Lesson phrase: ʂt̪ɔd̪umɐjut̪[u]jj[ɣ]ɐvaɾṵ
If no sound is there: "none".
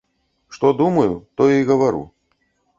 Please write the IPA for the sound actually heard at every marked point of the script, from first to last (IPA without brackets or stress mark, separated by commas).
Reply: ɔ, ɣ